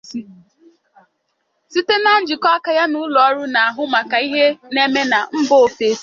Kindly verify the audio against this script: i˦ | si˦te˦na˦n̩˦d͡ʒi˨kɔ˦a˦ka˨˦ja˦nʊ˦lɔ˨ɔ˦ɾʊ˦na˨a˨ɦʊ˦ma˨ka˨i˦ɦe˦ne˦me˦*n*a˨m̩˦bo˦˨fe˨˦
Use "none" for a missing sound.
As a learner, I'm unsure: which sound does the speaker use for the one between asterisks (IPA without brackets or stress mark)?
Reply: n